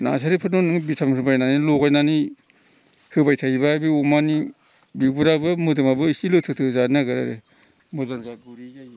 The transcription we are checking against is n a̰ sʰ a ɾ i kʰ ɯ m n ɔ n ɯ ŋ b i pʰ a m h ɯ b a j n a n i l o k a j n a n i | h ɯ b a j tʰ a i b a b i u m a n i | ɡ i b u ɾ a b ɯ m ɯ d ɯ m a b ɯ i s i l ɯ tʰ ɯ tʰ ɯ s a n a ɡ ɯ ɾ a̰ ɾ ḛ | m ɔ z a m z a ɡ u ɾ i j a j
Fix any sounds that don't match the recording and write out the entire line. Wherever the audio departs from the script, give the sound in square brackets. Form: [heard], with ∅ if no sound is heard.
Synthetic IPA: n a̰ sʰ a ɾ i [pʰ] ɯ [∅] n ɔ n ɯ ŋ b i [tʰ] a m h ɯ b a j n a n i l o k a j n a n i | h ɯ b a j tʰ a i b a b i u m a n i | [b] i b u ɾ a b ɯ m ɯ d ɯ m a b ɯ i s i l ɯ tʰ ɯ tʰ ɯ [z] a n a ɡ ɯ ɾ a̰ ɾ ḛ | m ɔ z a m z a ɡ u ɾ i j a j

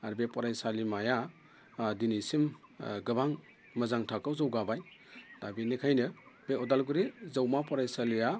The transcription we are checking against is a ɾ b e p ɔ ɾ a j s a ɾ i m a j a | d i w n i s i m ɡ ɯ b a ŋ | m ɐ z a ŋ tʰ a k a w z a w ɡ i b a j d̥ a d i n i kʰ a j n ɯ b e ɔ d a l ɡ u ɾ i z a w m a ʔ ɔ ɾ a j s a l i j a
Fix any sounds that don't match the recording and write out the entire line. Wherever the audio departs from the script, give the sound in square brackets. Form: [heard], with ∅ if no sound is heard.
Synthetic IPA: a ɾ b e p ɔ ɾ a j s a [l] i m a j a | d i [∅] n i s i m ɡ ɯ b a ŋ | m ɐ z a ŋ tʰ a k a w z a w ɡ [a] b a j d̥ a [b] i n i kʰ a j n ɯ b e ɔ d a l ɡ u ɾ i z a w m a [p] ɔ ɾ a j s a l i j a

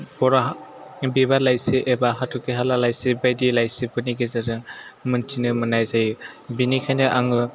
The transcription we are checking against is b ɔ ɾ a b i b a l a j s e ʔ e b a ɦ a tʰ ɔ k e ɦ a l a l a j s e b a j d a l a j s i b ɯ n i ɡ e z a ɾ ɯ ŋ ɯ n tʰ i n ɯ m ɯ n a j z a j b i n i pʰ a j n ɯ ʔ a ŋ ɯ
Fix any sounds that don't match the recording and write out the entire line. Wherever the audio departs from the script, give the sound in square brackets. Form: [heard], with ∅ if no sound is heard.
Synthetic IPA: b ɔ ɾ a b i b a l a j s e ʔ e b a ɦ a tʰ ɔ k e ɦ a l a l a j s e b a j d [i] l a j s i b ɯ n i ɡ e z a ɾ ɯ [m] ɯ n tʰ i n ɯ m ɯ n a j z a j b i n i [kʰ] a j n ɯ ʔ a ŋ ɯ

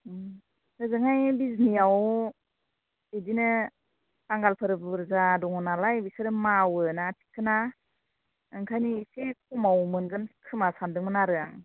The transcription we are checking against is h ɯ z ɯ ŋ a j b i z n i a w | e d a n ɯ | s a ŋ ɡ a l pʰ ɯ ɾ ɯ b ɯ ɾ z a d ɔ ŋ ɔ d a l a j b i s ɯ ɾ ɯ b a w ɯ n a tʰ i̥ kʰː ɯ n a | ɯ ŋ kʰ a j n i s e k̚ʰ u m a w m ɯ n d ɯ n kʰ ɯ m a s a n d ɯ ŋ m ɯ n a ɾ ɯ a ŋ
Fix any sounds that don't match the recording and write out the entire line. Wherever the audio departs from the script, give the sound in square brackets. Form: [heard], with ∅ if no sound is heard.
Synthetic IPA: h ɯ z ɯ ŋ a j b i z n i a w | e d [i] n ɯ | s a ŋ ɡ a l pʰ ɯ ɾ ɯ b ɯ ɾ z a d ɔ ŋ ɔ [n] a l a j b i s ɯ ɾ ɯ [m] a w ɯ n a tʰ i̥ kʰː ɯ n a | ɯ ŋ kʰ a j n i s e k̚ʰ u m a w m ɯ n [ɡ] ɯ n kʰ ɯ m a s a n d ɯ ŋ m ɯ n a ɾ ɯ a ŋ

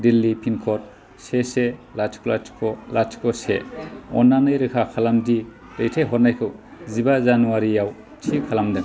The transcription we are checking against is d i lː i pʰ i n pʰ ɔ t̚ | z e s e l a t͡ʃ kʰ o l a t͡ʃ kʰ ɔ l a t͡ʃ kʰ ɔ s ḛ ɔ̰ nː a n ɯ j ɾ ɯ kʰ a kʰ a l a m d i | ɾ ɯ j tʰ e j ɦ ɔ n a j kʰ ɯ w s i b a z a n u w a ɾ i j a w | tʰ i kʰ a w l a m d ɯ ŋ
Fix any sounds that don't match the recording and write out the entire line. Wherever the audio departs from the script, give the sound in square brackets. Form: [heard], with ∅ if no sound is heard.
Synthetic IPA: d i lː i pʰ i n [kʰ] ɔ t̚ | [s] e s e l a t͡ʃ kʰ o l a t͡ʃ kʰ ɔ l a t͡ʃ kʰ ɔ s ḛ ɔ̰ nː a n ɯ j ɾ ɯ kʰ a kʰ a l a m d i | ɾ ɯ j tʰ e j ɦ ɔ n a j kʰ ɯ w [z] i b a z a n u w a ɾ i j a w | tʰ i kʰ a [∅] l a m d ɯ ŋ

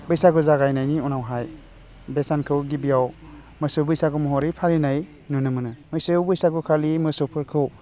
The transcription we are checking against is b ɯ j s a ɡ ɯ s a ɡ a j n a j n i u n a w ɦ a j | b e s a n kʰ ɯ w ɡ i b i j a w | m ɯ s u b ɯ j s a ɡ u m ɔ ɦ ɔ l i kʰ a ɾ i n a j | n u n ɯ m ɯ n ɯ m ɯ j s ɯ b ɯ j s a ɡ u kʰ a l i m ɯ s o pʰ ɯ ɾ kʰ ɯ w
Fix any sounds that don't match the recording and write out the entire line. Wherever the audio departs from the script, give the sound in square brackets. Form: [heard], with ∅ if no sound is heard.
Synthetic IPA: b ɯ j s a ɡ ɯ [z] a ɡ a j n a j n i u n a w ɦ a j | b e s a n kʰ ɯ w ɡ i b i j a w | m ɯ s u b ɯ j s a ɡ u m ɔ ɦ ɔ [ɾ] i [pʰ] a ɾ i n a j | n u n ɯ m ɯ n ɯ m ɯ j s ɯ b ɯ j s a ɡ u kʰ a l i m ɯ s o pʰ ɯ ɾ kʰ ɯ w

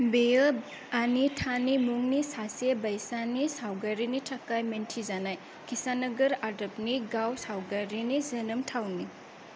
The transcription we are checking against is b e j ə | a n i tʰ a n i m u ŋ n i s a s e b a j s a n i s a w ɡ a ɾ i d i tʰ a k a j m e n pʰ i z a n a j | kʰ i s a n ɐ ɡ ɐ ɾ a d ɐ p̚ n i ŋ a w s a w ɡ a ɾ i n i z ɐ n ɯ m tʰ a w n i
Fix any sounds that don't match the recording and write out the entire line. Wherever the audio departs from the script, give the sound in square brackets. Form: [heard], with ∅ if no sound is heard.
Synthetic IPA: b e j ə | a n i tʰ a n i m u ŋ n i s a s e b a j s a n i s a w ɡ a ɾ i [n] i tʰ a k a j m e n [tʰ] i z a n a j | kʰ i s a n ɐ ɡ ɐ ɾ a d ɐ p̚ n i [ɡ] a w s a w ɡ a ɾ i n i z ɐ n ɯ m tʰ a w n i

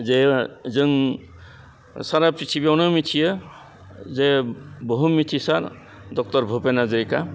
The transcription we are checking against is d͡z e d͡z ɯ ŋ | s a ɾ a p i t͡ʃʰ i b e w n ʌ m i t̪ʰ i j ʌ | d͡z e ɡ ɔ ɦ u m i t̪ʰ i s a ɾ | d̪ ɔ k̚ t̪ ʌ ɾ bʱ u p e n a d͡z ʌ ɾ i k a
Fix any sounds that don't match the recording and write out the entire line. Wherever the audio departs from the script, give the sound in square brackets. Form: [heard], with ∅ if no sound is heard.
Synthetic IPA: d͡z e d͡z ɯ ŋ | s a ɾ a p i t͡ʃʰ i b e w n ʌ m i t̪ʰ i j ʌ | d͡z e [b] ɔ ɦ u m i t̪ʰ i s a ɾ | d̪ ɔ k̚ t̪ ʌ ɾ bʱ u p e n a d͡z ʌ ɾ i k a

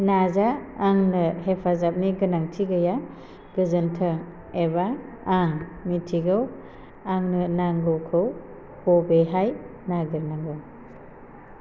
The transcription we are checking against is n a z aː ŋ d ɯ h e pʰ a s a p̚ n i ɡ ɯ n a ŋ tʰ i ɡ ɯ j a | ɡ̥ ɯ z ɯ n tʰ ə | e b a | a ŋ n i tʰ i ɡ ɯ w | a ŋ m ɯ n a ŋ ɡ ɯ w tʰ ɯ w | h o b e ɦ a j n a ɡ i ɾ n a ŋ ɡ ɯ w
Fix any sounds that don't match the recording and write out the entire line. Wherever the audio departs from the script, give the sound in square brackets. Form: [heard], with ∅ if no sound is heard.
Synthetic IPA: n a z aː ŋ [n] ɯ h e pʰ a [z] a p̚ n i ɡ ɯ n a ŋ tʰ i ɡ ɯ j a | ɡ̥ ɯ z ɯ n tʰ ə | e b a | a ŋ [m] i tʰ i ɡ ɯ w | a ŋ [n] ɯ n a ŋ ɡ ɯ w [kʰ] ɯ w | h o b e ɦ a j n a ɡ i ɾ n a ŋ ɡ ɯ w

